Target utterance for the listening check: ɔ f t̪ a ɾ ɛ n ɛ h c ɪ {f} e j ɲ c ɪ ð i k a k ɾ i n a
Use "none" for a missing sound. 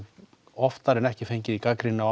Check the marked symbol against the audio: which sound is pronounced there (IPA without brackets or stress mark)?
f